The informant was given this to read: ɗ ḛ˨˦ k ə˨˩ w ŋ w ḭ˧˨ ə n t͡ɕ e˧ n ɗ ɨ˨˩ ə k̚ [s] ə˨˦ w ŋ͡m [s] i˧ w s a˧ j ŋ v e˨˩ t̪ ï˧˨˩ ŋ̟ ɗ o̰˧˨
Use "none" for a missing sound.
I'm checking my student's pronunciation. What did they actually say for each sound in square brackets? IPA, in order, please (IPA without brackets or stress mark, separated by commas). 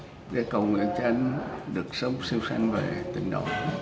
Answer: s, s